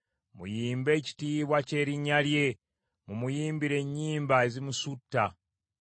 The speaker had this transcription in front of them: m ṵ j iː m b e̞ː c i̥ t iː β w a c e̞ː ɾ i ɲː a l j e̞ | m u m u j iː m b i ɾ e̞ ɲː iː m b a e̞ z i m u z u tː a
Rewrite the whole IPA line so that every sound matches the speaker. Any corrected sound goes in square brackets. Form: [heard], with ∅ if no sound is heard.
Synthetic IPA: m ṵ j iː m b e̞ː c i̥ t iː β w a c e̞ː ɾ i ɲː a l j e̞ | m u m u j iː m b i ɾ e̞ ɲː iː m b a e̞ z i m u [s] u tː a